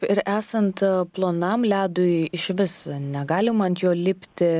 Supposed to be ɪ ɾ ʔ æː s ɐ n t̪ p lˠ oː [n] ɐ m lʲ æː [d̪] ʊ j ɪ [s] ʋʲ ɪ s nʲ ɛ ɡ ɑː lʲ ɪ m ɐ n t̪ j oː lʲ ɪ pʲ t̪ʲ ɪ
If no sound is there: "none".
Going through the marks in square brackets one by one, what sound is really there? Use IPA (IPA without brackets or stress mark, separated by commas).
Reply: n, d̪, ʃ